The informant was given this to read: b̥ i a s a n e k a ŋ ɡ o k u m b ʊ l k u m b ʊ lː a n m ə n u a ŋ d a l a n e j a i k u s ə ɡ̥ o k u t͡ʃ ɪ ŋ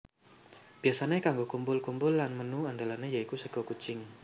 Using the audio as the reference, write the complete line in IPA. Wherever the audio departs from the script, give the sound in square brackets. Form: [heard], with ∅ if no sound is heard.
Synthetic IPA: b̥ i a s a n e k a ŋ ɡ o k u m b ʊ l k u m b ʊ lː a n m ə n u a [n] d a l a n e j a i k u s ə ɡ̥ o k u t͡ʃ ɪ ŋ